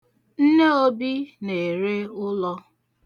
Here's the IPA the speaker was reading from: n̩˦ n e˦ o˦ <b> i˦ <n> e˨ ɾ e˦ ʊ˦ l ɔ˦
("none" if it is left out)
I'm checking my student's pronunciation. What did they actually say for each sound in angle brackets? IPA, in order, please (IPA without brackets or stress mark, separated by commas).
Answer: b, n